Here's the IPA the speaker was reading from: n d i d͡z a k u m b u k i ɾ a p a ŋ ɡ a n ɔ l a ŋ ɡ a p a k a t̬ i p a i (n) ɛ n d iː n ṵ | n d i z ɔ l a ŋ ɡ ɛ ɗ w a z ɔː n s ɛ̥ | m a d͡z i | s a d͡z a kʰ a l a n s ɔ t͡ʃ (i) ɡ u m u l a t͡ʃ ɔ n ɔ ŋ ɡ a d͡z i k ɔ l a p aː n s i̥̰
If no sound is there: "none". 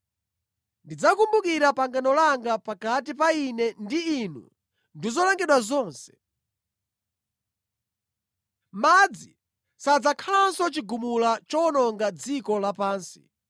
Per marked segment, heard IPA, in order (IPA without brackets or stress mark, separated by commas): n, i